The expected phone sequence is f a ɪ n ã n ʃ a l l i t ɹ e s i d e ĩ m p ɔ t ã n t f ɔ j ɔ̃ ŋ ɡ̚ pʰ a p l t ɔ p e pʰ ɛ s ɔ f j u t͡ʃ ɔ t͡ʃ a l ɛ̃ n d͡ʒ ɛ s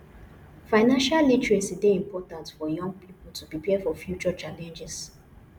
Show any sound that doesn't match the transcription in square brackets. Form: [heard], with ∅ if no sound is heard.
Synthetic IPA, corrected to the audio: f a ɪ n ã n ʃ a l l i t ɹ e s i d e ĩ m p ɔ t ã n t f ɔ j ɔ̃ ŋ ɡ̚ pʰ [i] p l t [u] p [i] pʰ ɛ [f] ɔ f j u t͡ʃ ɔ t͡ʃ a l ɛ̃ n d͡ʒ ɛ s